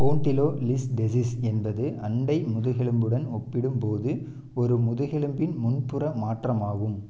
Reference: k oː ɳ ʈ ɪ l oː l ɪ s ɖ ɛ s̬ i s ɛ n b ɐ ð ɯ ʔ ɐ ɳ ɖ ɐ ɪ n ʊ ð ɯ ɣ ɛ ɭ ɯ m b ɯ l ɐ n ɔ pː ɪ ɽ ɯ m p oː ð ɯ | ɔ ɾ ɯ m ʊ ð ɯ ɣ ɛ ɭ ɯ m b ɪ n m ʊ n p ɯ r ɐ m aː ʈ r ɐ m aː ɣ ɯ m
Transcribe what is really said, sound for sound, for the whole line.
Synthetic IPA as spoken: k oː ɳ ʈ ɪ l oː l ɪ s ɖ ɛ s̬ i s ɛ n b ɐ ð ɯ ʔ ɐ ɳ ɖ ɐ ɪ m ʊ ð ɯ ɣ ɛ ɭ ɯ m b ɯ ɽ ɐ n ɔ pː ɪ ɽ ɯ m p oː ð ɯ | ɔ ɾ ɯ m ʊ ð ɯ ɣ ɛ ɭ ɯ m b ɪ n m ʊ n p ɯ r ɐ m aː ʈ r ɐ m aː ɣ ɯ m